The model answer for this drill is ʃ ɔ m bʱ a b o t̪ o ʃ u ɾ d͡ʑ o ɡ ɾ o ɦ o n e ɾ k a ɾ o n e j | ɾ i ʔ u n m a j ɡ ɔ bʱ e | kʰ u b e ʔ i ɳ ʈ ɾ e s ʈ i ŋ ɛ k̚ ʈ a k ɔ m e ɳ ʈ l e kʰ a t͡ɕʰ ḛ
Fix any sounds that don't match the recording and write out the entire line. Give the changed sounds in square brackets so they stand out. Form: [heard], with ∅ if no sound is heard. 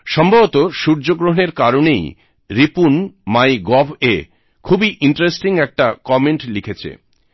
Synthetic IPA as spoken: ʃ ɔ m bʱ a b o t̪ o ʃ u ɾ d͡ʑ o ɡ ɾ o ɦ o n e ɾ k a ɾ o n e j | ɾ i [p] u n m a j ɡ ɔ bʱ e | kʰ u b [i] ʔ i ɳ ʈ ɾ e s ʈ i ŋ ɛ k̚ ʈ a k ɔ m e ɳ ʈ l [i] kʰ [e] t͡ɕʰ ḛ

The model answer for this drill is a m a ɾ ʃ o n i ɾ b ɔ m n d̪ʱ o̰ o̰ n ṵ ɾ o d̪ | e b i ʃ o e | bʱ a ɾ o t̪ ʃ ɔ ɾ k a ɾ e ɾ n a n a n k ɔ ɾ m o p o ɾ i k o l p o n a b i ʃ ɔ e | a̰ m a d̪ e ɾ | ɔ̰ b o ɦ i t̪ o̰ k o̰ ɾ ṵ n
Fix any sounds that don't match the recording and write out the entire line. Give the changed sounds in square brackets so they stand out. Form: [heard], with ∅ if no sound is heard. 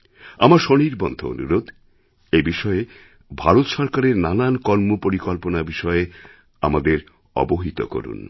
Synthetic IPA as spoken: a m a ɾ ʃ o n i ɾ b ɔ [∅] n d̪ʱ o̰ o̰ n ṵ ɾ o d̪ | e b i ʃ [ɔ] e | bʱ a ɾ o t̪ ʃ ɔ ɾ k a ɾ e ɾ n a n a n k ɔ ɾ m o p o ɾ i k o l p o n a b i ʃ ɔ e | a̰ m a d̪ e ɾ | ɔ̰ b o ɦ i t̪ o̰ k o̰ ɾ ṵ n

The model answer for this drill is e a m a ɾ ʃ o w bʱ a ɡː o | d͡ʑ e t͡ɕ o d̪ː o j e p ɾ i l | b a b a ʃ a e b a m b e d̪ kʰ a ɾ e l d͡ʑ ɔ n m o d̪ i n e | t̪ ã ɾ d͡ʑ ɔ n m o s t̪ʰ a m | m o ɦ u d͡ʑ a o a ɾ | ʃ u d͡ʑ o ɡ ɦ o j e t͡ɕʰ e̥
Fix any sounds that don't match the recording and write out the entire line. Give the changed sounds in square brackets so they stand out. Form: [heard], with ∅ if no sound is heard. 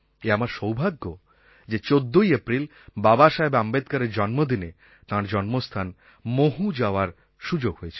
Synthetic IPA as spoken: e a m a ɾ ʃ o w bʱ a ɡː o | d͡ʑ e t͡ɕ o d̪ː o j e p ɾ i l | b a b a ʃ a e b a m b e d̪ [k] a ɾ e [ɾ] d͡ʑ ɔ n m o d̪ i n e | t̪ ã ɾ d͡ʑ ɔ n m o s t̪ʰ a [n] | m o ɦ u d͡ʑ a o a ɾ | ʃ u d͡ʑ o ɡ ɦ o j e t͡ɕʰ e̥

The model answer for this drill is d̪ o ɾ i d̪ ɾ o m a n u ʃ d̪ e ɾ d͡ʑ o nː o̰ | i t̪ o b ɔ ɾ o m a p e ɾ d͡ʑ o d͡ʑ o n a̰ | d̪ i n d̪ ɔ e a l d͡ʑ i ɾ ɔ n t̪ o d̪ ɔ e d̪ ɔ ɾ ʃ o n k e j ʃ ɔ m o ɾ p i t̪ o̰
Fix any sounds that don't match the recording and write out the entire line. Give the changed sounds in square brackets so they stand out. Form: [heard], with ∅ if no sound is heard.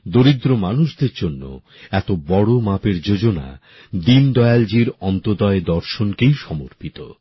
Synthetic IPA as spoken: d̪ o ɾ i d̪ ɾ o m a n u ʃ d̪ e ɾ d͡ʑ o nː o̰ | [ɛ] t̪ o b ɔ [ɽ] o m a p e ɾ d͡ʑ o d͡ʑ o n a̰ | d̪ i n d̪ ɔ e a l d͡ʑ i ɾ ɔ n t̪ o d̪ ɔ e d̪ ɔ ɾ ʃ o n k e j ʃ ɔ m o ɾ p i t̪ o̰

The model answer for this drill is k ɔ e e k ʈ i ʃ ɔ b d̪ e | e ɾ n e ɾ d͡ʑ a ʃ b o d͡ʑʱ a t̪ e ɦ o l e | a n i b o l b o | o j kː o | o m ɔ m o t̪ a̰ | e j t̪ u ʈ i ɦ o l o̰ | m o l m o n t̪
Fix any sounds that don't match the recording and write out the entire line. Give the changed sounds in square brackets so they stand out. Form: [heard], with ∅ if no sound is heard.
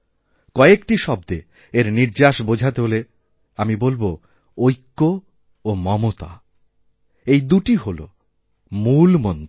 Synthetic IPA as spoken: k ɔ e e k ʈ i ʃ ɔ b d̪ e | e ɾ n [i] ɾ d͡ʑ a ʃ b o d͡ʑʱ a t̪ e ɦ o l e | a [m] i b o l b o | o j kː o | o m ɔ m o t̪ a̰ | e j [d̪] u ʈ i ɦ o l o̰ | m [u] l m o n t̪

